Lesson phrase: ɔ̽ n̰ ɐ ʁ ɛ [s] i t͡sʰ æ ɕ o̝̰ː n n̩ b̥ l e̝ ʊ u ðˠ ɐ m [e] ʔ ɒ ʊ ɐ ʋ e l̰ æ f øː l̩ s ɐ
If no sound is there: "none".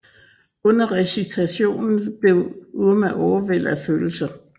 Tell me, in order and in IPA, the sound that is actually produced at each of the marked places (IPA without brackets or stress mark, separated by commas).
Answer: s, æ